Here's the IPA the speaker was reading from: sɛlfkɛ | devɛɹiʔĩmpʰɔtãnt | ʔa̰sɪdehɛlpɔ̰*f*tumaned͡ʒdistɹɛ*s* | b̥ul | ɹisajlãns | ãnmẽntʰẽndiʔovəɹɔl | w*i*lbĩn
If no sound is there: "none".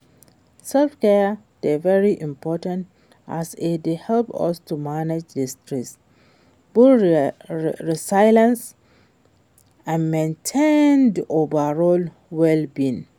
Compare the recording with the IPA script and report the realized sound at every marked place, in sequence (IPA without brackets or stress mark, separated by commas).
s, s, ɛ